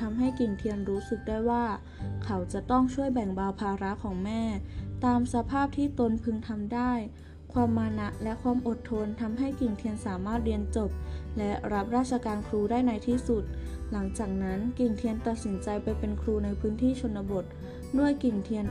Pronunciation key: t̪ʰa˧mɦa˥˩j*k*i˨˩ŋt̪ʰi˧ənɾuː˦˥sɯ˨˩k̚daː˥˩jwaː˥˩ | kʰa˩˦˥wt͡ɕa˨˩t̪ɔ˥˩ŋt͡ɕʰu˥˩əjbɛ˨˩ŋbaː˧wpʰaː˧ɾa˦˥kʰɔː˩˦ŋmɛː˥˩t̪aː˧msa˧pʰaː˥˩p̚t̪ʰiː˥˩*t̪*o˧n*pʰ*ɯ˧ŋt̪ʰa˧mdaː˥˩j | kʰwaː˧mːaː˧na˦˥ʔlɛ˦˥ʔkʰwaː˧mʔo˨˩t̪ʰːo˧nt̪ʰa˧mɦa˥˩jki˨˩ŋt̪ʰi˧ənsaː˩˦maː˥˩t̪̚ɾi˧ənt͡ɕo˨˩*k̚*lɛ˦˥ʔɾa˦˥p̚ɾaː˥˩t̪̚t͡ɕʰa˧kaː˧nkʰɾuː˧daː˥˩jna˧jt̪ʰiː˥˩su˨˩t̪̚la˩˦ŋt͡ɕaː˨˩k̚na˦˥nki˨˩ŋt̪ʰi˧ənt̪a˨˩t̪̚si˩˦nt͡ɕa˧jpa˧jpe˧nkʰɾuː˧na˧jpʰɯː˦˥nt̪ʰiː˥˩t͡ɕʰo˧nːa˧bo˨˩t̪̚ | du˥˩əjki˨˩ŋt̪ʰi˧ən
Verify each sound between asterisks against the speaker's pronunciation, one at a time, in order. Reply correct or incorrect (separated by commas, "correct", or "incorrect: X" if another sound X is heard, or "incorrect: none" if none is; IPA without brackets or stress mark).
correct, correct, correct, incorrect: p̚